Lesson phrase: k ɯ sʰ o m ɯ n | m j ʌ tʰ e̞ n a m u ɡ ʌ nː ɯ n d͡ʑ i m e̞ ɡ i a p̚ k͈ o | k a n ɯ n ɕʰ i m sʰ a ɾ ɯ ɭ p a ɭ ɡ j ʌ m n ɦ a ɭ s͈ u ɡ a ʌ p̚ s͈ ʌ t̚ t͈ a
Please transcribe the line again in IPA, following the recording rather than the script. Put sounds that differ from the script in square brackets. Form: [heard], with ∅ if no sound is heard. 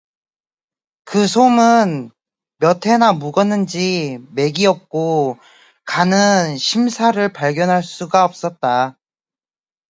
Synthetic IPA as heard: k ɯ sʰ o m ɯ n | m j ʌ tʰ e̞ n a m u ɡ ʌ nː ɯ n d͡ʑ i m e̞ ɡ i [ʌ] p̚ k͈ o | k a n ɯ n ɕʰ i m sʰ a ɾ ɯ ɭ p a ɭ ɡ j ʌ [∅] n ɦ a ɭ s͈ u ɡ a ʌ p̚ s͈ ʌ t̚ t͈ a